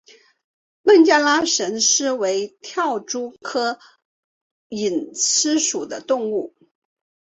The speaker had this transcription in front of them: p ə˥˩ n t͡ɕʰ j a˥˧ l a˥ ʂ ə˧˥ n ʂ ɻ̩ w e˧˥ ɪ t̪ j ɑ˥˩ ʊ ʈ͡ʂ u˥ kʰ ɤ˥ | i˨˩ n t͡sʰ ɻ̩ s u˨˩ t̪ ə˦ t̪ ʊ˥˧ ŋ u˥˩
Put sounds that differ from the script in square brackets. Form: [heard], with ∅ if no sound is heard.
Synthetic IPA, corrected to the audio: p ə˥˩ n [t͡ɕ] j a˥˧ l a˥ ʂ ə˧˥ n ʂ ɻ̩ w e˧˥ ɪ [t̪ʰ] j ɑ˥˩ ʊ ʈ͡ʂ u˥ kʰ ɤ˥ | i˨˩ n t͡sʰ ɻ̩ [ʂ] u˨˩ [d̪] ə˦ t̪ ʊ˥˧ ŋ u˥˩